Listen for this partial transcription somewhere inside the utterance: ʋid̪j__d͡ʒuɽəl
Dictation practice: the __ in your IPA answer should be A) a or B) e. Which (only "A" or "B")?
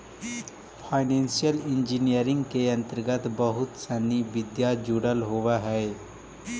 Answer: A